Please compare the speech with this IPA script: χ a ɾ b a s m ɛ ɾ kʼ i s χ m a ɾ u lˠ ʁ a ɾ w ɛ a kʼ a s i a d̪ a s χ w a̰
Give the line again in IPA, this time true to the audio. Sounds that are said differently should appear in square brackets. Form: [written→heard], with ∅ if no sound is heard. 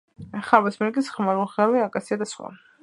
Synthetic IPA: χ a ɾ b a s m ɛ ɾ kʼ i s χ m a ɾ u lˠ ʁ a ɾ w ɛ a kʼ a s i a d̪ a s χ w a̰